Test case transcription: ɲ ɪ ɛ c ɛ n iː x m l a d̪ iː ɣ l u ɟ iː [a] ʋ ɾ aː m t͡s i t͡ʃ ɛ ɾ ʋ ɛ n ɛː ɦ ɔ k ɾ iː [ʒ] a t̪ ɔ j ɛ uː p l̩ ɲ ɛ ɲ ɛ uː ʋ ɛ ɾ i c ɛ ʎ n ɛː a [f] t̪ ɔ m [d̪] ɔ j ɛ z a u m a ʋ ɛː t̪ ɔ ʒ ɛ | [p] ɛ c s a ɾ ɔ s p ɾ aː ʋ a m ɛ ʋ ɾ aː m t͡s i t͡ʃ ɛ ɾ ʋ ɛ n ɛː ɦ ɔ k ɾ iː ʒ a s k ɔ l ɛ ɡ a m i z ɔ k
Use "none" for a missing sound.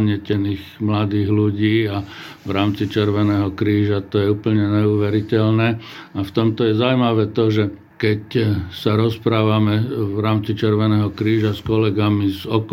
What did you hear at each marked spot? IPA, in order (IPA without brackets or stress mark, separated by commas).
a, ʒ, f, t̪, k